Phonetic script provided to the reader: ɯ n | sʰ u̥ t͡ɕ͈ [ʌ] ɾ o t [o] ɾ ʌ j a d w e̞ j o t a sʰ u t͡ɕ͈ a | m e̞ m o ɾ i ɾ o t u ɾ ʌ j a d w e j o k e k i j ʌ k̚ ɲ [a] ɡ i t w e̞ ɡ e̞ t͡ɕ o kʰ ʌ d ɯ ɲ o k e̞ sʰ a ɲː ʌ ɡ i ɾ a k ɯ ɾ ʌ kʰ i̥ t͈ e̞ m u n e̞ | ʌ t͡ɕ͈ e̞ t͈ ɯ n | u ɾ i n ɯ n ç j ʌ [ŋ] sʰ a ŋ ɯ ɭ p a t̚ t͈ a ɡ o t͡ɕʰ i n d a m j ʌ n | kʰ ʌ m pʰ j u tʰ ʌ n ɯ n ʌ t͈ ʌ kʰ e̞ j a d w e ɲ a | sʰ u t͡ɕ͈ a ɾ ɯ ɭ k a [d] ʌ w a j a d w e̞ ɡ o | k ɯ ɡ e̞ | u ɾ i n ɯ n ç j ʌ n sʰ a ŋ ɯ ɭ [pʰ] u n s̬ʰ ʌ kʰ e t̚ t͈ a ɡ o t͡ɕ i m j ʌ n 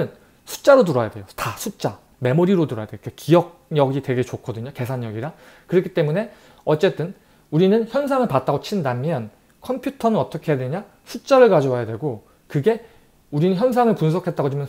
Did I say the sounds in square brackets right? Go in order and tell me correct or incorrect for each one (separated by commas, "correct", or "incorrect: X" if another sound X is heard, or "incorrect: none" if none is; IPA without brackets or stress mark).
incorrect: a, incorrect: u, incorrect: ʌ, incorrect: n, incorrect: d͡ʑ, incorrect: p